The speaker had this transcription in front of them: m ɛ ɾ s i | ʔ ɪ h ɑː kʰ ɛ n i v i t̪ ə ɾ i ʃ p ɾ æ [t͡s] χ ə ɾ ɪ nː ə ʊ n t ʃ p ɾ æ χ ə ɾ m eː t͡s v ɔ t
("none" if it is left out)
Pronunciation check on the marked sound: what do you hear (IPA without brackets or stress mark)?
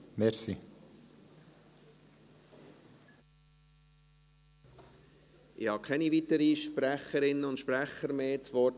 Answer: none